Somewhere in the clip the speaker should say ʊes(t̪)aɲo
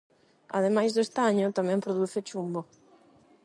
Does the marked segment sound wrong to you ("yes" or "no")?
no